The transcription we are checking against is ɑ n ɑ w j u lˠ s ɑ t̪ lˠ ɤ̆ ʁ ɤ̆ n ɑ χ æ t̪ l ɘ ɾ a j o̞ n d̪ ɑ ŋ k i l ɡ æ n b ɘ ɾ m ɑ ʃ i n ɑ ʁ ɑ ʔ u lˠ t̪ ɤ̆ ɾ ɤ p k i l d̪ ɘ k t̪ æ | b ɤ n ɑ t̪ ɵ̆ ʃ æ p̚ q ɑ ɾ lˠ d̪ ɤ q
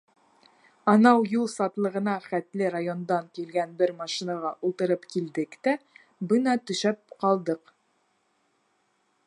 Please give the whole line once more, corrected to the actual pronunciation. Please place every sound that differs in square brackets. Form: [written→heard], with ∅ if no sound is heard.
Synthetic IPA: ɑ n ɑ w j u lˠ s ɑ t̪ lˠ ɤ̆ ʁ ɤ̆ n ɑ χ æ t̪ l ɘ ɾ a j o̞ n d̪ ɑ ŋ k i l ɡ æ n b ɘ ɾ m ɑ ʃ i n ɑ ʁ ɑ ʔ u lˠ t̪ ɤ̆ ɾ ɤ p k i l d̪ ɘ k t̪ æ | b ɤ n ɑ t̪ ɵ̆ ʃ æ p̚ q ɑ [ɾ→∅] lˠ d̪ ɤ q